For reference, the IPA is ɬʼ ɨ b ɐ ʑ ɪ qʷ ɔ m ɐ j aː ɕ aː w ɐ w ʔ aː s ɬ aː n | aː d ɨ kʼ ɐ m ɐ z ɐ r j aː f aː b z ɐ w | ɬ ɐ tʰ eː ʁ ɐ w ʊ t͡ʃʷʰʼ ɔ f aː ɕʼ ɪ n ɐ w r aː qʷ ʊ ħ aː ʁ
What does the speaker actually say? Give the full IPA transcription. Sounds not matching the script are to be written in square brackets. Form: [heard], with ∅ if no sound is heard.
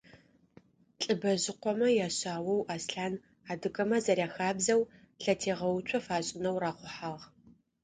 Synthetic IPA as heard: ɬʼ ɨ b ɐ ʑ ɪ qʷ ɔ m ɐ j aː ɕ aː w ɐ w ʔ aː s ɬ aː n | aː d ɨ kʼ ɐ m ɐ z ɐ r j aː [x] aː b z ɐ w | ɬ ɐ tʰ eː ʁ ɐ w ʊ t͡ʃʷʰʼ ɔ f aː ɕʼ ɪ n ɐ w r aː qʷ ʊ ħ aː ʁ